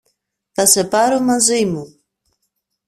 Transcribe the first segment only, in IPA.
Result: θ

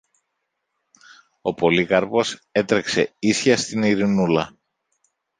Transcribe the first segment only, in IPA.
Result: o̞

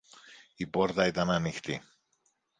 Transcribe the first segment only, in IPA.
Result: i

